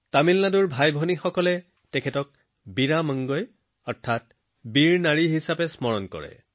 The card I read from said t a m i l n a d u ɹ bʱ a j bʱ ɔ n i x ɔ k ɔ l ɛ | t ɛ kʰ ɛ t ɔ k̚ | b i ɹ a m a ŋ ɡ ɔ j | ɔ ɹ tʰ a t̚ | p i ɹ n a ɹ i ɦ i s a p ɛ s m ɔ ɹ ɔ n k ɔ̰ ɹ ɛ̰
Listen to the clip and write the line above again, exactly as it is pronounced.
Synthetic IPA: t a m i l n a d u ɹ bʱ a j bʱ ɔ n i x ɔ k ɔ l ɛ | t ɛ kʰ ɛ t ɔ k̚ | b i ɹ a m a ŋ ɡ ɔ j | ɔ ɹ tʰ a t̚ | b i ɹ n a ɹ i ɦ i s a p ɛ s m ɔ ɹ ɔ n k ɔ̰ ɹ ɛ̰